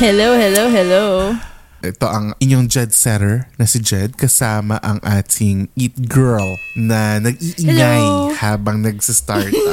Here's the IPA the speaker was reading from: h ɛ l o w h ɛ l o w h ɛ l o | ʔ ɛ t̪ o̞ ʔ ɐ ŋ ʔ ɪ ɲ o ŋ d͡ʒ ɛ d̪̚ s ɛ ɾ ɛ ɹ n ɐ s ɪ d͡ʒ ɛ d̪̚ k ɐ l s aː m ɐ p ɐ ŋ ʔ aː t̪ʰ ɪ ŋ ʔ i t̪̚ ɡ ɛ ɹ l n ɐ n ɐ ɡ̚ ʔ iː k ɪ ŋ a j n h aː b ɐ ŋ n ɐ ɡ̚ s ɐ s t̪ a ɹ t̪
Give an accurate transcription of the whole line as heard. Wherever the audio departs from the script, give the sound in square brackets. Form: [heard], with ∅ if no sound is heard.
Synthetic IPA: h ɛ l o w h ɛ l o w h ɛ l o | ʔ ɛ t̪ o̞ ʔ ɐ ŋ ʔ ɪ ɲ o ŋ d͡ʒ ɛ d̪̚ s ɛ ɾ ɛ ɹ n ɐ s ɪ d͡ʒ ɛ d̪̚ k ɐ [∅] s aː m ɐ [ʔ] ɐ ŋ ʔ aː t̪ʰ ɪ ŋ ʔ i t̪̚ ɡ ɛ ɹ l n ɐ n ɐ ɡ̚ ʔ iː [ʔ] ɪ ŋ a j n h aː b ɐ ŋ n ɐ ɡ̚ s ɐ s t̪ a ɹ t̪